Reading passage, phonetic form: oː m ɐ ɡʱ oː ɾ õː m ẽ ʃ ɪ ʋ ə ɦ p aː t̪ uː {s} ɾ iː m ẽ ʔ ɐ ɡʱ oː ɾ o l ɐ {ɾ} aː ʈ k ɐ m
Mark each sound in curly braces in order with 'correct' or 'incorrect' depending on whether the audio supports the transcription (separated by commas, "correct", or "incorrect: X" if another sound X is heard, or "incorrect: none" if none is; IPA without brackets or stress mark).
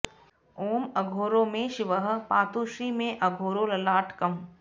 incorrect: ʃ, incorrect: l